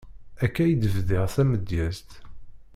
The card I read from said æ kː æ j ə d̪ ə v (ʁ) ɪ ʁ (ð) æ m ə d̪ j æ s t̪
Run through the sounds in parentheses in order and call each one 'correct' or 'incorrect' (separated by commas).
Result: incorrect, incorrect